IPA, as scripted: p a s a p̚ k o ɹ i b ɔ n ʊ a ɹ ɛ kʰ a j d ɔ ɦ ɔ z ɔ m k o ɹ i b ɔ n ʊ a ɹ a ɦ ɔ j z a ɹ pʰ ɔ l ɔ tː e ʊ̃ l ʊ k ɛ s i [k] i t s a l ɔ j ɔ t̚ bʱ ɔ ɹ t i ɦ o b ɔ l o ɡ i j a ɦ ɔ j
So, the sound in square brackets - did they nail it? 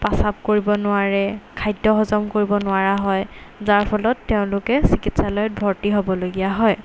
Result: yes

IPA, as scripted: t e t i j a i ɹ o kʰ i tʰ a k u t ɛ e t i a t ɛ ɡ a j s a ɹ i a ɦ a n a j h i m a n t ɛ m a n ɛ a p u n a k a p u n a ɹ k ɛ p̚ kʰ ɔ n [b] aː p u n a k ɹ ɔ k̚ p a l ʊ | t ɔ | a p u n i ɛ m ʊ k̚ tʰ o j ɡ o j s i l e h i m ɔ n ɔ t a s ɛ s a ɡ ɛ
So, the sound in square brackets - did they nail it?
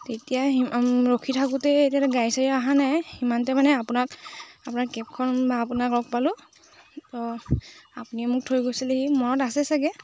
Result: yes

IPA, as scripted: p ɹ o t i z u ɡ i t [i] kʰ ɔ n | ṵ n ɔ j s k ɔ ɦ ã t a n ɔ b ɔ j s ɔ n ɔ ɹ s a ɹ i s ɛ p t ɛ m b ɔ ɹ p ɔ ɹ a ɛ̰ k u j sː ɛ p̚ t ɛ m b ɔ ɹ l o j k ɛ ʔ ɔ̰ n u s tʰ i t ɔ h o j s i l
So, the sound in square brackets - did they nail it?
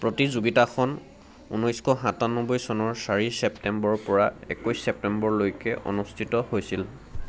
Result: no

